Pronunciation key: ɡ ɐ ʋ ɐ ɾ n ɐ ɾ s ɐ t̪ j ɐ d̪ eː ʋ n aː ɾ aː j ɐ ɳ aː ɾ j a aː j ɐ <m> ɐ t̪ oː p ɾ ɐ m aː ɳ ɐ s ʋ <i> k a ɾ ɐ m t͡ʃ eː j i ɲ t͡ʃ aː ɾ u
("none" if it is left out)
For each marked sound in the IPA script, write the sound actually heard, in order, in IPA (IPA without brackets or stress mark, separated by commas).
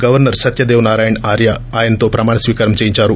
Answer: n, iː